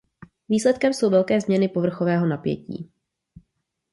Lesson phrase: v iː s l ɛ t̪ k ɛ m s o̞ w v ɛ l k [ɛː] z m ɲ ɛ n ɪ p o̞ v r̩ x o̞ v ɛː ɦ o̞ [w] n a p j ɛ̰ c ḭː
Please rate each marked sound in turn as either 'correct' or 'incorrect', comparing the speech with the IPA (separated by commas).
correct, incorrect